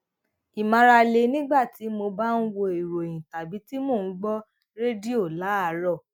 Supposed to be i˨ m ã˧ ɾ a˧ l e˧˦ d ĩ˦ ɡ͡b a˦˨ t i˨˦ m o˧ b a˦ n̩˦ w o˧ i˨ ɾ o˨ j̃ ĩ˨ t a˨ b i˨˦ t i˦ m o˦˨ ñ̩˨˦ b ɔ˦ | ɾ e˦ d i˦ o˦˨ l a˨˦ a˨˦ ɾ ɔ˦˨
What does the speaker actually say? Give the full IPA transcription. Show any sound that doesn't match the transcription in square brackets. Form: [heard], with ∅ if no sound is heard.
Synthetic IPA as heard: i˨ m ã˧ ɾ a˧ l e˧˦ [n] ĩ˦ ɡ͡b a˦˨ t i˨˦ m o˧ b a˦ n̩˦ w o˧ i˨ ɾ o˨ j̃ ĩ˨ t a˨ b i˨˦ t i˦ m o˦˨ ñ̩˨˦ [ɡ͡b] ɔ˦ | ɾ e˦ d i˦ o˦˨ l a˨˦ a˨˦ ɾ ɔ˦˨